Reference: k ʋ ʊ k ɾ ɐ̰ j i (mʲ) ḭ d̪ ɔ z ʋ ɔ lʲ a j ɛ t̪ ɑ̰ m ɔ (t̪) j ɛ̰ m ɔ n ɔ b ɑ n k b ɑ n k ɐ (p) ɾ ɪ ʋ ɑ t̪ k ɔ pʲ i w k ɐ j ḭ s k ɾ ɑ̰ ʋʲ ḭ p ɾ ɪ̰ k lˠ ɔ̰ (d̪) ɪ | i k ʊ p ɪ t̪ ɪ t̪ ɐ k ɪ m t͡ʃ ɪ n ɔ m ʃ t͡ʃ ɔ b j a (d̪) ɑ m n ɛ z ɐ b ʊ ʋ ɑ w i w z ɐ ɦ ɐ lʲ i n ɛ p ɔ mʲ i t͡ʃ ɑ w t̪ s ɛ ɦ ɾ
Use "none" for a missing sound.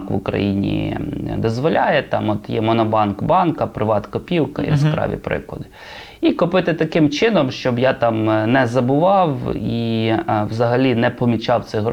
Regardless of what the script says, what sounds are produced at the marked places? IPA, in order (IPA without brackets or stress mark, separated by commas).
nʲ, t̪, p, d̪, t̪